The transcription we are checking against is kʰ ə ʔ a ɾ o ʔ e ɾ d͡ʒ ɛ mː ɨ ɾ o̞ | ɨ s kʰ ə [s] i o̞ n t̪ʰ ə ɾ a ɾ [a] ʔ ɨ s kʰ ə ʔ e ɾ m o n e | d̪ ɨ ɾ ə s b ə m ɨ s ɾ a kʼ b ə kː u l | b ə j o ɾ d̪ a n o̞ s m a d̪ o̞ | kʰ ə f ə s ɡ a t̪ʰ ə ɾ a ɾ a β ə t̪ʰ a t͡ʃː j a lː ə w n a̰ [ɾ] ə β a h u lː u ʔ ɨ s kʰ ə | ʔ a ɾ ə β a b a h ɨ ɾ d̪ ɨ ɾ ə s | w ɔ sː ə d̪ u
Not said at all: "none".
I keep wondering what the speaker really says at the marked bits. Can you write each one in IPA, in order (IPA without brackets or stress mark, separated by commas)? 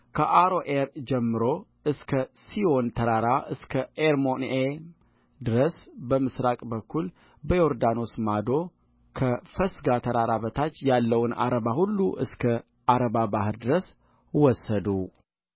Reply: s, a, ɾ